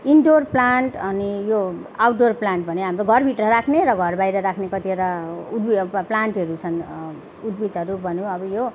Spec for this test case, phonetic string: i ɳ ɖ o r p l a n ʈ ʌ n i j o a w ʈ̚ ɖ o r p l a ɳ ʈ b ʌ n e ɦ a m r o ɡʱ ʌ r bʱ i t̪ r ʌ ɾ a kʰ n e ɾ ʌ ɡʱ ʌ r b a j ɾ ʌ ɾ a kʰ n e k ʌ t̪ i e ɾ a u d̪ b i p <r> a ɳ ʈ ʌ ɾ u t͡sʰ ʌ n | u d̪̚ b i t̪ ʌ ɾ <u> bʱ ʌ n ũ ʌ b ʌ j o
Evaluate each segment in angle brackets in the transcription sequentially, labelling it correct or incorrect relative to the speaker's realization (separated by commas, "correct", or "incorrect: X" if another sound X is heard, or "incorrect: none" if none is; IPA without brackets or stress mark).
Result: incorrect: l, correct